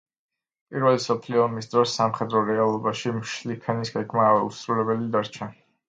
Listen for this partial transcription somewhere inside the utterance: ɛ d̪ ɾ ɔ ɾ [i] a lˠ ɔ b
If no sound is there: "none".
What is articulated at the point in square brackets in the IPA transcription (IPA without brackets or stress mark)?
ɛ